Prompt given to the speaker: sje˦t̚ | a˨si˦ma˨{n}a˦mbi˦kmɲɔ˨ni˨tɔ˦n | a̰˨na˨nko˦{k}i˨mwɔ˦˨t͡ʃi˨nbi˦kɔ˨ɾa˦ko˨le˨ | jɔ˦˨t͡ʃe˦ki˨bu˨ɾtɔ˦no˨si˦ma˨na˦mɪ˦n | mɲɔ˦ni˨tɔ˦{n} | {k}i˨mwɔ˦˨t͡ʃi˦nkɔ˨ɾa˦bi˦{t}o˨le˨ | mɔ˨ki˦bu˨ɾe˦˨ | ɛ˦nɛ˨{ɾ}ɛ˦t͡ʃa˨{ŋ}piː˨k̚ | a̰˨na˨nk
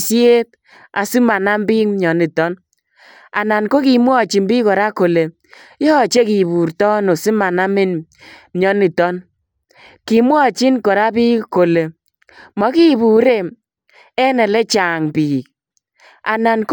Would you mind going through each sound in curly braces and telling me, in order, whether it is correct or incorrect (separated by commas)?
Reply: correct, correct, correct, correct, incorrect, incorrect, correct